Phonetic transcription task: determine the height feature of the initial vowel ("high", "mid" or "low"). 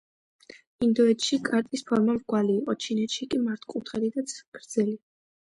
high